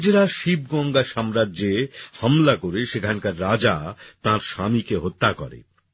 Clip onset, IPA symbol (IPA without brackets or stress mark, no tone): d͡ʑ